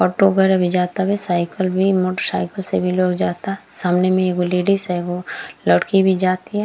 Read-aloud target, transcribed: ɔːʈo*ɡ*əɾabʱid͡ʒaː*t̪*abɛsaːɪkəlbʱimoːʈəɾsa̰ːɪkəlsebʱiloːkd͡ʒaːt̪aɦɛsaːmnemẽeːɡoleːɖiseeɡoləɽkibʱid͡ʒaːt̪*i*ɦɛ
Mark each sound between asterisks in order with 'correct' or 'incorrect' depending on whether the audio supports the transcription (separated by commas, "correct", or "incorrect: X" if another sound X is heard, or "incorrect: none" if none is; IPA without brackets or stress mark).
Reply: correct, correct, correct